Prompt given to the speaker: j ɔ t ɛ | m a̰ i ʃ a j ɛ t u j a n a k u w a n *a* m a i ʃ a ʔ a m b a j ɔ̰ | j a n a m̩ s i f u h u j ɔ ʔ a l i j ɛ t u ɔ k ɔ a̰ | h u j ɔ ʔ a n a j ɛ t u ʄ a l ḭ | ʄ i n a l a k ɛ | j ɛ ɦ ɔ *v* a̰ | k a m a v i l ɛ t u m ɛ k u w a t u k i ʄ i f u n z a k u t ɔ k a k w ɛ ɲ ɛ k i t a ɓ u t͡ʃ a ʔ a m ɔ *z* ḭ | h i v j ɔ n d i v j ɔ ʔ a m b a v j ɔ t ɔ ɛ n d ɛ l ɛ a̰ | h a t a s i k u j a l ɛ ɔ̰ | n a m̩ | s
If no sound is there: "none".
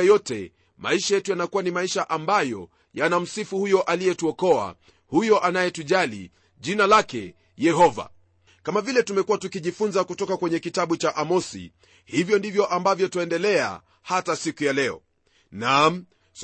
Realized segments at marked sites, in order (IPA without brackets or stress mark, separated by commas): i, v, s